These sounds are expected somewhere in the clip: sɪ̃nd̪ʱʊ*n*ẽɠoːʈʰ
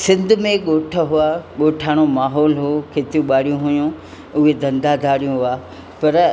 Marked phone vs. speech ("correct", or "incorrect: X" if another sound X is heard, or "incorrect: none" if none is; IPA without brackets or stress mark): incorrect: m